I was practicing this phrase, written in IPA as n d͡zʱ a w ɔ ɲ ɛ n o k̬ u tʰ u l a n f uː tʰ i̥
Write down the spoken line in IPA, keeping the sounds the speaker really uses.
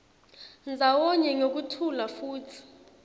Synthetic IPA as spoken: n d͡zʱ a w ɔ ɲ ɛ ŋ o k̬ u tʰ u l a f uː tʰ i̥

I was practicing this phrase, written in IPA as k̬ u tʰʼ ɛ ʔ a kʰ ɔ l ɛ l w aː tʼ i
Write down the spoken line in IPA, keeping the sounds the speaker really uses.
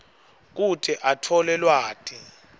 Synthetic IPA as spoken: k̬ u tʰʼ ɛ ʔ a tʰ ɔ l ɛ l w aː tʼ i

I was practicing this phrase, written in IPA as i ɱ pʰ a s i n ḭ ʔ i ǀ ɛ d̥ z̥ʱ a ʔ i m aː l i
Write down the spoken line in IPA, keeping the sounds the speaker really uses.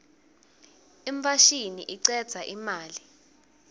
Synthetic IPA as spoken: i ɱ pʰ a ʃ i n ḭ ʔ i ǀ ɛ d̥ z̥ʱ a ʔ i m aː l i

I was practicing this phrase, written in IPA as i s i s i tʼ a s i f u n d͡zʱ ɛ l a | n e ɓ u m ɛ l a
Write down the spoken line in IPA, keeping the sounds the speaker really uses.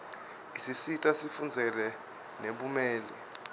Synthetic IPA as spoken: i s i s i tʼ a s i f u n d͡zʱ ɛ l ɛ | n e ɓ u m ɛː l ɛ

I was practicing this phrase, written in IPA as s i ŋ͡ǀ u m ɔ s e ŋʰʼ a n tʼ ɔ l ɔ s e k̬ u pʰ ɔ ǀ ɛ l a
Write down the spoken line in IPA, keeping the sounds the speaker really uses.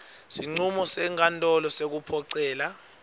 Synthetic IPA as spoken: s i ŋ͡ǀ u m ɔ s ɛ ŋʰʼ a n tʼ ɔ l ɔ s e k̬ u pʰ ɔ ǀ ɛː l a

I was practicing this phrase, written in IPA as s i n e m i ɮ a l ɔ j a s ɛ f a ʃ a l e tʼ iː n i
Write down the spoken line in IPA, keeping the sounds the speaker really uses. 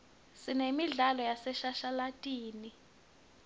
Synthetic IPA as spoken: s i n e m i ɮ a l ɔ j a s ɛ ʃ a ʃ a l a tʼ iː n i

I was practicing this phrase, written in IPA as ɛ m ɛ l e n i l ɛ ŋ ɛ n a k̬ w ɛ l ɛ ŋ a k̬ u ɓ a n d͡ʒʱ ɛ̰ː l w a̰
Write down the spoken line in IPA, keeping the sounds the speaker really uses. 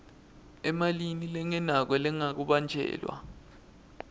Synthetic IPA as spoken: ɛ m a l i n i l ɛ ŋ ɛ n a k̬ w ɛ l ɛ ŋ a k̬ u ɓ a n d͡ʒʱ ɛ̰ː l w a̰

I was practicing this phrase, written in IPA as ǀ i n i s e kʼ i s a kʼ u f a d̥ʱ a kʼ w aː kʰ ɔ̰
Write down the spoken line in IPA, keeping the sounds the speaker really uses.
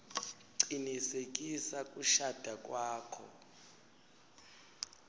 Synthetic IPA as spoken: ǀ i n i s e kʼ i s a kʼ u ʃ a d̥ʱ a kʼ w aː kʰ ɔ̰

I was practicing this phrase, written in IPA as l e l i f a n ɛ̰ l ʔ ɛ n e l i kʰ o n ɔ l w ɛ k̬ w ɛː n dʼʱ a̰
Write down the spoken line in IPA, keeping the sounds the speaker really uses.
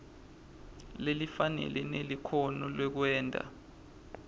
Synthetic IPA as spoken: l e l i f a n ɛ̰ l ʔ ɛ n e l i kʰ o n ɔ l w ɛ k̬ w ɛː n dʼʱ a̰

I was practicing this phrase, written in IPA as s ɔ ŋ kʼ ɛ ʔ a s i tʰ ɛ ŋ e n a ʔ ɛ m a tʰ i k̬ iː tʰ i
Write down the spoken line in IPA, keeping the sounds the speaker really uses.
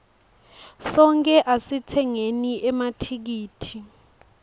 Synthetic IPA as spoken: s ɔ ŋ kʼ ɛ ʔ a s i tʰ ɛ ŋ e n i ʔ ɛ m a tʰ i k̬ iː tʰ i

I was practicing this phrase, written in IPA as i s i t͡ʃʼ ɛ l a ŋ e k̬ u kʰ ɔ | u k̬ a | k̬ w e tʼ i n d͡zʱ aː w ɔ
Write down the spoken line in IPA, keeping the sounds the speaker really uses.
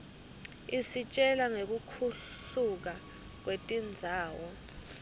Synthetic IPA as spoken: i s i t͡ʃʼ ɛ l a ŋ e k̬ u kʰ u | u k̬ a | k̬ w e tʼ i n d͡zʱ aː w ɔ

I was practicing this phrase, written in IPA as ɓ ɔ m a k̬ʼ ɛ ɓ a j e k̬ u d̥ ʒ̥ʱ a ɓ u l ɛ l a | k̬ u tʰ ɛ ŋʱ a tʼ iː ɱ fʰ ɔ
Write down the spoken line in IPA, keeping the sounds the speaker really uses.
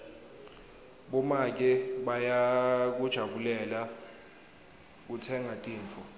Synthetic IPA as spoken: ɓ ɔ m a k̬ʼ ɛ ɓ a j a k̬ u d̥ ʒ̥ʱ a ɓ u l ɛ l a | k̬ u tʰ ɛ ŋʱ a tʼ iː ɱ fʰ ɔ

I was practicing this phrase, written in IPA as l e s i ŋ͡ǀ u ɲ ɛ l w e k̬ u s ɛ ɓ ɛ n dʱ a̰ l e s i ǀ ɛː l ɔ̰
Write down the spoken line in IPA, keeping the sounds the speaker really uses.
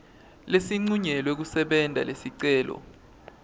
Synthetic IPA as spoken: l e s i ŋ͡ǀ u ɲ ɛ l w e k̬ u s ɛ ɓ ɛ n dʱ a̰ l e s i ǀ ɛː l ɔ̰

